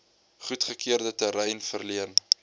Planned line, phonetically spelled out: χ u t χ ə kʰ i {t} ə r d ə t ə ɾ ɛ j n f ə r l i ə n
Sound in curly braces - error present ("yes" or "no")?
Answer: yes